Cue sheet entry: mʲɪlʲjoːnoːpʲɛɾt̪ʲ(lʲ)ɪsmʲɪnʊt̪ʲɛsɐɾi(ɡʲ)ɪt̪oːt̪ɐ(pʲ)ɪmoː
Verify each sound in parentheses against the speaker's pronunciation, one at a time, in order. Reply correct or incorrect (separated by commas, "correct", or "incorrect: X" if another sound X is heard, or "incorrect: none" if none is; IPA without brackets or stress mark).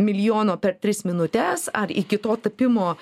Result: incorrect: ɾʲ, incorrect: kʲ, correct